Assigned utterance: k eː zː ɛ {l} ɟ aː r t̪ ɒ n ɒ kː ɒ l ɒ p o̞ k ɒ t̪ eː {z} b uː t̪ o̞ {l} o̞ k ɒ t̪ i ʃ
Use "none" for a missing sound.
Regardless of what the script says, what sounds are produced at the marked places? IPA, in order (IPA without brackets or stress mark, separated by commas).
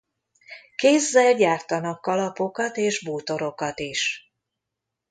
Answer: l, ʒ, ɾ